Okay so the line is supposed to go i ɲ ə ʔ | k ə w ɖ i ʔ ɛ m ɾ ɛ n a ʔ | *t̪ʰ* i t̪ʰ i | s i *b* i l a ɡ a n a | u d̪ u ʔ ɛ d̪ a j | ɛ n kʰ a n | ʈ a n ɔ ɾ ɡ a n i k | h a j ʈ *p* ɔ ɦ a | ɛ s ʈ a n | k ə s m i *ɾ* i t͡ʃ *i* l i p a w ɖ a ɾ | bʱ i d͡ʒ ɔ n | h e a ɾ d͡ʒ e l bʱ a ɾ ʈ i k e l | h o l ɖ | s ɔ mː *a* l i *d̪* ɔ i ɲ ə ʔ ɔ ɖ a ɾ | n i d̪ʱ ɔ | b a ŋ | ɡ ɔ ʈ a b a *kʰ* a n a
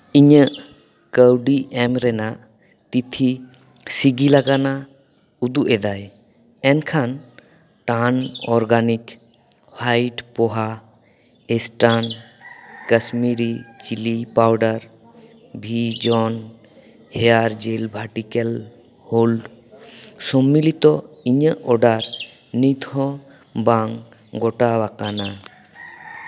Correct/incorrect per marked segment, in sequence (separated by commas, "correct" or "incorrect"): incorrect, incorrect, correct, correct, correct, incorrect, incorrect, incorrect